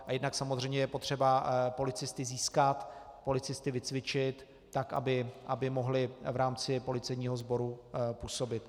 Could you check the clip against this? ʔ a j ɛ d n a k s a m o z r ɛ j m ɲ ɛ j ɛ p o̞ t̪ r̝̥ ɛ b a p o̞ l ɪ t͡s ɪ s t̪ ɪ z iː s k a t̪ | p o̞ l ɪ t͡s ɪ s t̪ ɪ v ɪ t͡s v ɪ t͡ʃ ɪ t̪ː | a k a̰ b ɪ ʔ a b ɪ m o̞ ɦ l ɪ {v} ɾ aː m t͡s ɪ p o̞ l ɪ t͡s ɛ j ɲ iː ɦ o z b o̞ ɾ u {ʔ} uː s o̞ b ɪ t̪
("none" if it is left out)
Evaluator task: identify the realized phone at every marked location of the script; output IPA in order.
v, p

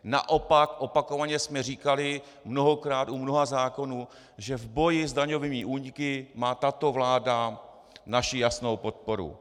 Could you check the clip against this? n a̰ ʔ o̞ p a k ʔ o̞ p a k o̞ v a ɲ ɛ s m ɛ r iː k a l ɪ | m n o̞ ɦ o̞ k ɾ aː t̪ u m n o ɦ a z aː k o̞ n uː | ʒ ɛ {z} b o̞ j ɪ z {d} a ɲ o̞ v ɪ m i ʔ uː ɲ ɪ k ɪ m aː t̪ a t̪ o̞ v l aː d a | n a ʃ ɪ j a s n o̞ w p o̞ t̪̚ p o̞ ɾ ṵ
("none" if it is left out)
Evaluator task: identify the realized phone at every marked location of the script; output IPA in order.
v, d

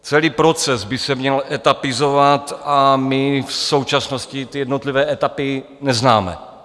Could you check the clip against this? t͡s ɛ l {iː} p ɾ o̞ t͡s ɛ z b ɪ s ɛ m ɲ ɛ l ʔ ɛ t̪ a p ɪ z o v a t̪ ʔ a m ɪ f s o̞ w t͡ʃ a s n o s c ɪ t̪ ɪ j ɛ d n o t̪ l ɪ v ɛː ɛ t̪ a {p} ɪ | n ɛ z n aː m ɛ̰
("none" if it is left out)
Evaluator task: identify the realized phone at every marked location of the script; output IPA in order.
iː, p

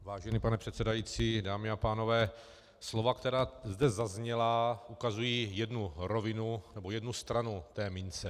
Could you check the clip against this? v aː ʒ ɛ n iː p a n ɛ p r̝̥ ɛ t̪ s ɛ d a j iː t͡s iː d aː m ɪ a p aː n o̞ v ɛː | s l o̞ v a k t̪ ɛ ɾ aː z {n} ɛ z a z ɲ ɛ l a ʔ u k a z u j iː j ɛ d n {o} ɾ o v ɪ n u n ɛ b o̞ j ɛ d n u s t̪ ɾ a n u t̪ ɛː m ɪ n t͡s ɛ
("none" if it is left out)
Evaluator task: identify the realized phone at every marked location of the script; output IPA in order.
d, u

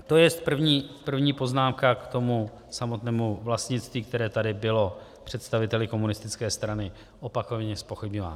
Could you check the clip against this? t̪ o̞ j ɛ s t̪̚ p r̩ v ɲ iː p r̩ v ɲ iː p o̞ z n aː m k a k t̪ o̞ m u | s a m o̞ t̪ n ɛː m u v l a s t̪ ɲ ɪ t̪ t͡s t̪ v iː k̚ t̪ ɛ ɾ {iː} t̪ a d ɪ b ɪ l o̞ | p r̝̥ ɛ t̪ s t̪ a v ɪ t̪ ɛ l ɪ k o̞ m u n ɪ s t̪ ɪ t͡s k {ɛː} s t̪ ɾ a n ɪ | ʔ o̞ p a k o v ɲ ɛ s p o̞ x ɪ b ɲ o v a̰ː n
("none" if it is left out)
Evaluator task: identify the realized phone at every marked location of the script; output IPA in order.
ɛː, ɛː

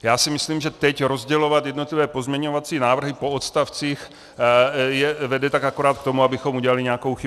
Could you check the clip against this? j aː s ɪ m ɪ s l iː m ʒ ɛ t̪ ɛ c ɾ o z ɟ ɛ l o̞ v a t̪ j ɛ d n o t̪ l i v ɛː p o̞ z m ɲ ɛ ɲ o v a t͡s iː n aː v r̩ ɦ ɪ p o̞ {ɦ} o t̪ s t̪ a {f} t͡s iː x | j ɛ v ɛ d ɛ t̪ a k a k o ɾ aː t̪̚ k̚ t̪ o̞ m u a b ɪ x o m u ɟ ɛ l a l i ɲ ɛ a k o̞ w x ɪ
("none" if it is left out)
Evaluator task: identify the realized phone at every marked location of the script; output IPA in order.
none, f

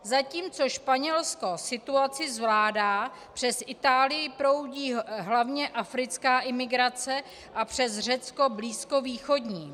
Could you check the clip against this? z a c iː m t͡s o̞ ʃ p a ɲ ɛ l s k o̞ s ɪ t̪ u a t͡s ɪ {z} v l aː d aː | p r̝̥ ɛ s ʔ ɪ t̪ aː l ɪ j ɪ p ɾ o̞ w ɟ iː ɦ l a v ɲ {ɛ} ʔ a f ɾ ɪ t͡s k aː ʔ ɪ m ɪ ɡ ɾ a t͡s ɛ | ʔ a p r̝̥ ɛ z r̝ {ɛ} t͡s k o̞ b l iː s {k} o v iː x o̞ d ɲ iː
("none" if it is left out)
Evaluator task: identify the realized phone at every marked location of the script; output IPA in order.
z, ɛ, ɛ, k

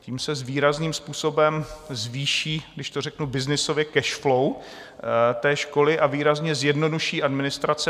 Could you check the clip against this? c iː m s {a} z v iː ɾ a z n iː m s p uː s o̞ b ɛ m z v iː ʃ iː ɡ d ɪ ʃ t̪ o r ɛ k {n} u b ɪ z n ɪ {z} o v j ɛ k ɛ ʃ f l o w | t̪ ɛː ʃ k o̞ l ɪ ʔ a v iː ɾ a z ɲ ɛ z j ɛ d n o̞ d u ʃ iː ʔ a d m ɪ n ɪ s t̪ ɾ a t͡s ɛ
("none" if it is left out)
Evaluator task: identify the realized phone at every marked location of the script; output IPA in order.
ɛ, n, s

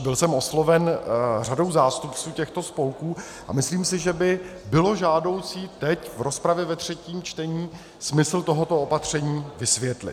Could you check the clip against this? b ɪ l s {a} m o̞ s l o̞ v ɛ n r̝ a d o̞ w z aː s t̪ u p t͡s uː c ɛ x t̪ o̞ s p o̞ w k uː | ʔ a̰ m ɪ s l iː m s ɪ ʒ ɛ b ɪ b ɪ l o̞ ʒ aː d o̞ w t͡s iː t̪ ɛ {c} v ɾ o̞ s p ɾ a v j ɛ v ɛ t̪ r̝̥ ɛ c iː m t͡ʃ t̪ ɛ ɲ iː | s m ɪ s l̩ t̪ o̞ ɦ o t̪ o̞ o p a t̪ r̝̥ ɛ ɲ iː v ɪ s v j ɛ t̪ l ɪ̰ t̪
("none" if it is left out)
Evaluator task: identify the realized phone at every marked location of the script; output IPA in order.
ɛ, c

